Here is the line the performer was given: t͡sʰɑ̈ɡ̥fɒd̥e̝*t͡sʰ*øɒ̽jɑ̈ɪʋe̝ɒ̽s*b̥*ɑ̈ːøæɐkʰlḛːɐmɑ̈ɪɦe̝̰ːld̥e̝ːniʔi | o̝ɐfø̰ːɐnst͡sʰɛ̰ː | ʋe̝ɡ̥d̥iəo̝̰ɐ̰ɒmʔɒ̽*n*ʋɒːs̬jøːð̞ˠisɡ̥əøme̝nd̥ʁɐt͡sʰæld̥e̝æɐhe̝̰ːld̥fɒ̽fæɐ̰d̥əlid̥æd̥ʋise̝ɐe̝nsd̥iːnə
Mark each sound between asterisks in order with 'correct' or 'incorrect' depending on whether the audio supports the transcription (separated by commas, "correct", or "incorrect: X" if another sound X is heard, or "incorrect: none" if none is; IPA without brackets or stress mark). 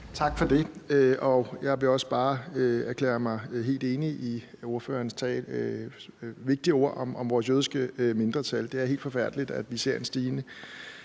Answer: incorrect: none, correct, incorrect: m